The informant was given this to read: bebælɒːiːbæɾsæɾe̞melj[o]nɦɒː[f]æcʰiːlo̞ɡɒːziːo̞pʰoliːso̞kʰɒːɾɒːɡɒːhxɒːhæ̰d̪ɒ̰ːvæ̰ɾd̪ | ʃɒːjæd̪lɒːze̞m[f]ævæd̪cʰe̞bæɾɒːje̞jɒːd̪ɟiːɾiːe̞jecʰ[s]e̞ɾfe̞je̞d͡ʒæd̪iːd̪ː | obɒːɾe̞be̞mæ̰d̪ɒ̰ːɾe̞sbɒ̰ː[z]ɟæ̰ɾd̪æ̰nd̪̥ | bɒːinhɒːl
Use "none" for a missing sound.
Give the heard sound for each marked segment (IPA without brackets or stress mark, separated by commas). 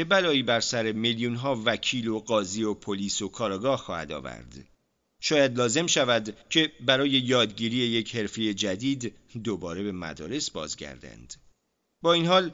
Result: u, v, ʃ, h, z